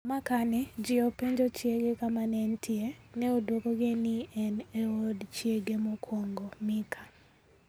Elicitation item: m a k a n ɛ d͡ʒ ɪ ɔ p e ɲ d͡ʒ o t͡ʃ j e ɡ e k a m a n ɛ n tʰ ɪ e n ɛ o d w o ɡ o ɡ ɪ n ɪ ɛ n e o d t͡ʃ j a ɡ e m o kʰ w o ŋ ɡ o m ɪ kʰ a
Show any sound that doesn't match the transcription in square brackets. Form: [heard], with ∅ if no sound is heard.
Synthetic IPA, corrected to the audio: m a k a n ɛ d͡ʒ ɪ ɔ p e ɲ d͡ʒ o t͡ʃ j e ɡ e k a m a n ɛ n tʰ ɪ e n ɛ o d w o [k] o ɡ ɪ n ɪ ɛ n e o d t͡ʃ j [e] ɡ e m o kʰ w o ŋ ɡ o m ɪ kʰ a